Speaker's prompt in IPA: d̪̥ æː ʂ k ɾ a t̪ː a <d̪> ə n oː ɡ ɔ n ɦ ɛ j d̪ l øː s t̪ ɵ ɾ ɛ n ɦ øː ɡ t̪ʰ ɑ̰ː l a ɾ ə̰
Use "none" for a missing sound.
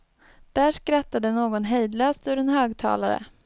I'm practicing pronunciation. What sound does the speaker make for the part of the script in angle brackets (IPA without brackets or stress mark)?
d̪